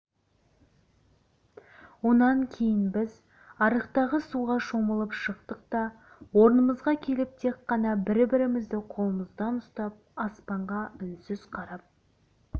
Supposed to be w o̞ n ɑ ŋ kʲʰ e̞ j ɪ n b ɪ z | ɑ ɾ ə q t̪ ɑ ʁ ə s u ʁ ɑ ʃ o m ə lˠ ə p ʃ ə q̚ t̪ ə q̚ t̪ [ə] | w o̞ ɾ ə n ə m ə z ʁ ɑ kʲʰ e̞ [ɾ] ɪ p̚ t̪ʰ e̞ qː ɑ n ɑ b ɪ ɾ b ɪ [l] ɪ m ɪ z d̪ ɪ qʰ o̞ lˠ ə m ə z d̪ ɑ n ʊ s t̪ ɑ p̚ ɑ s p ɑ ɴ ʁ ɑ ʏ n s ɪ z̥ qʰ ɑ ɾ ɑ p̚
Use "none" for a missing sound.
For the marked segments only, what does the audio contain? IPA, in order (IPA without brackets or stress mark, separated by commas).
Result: ɑ, l, ɾ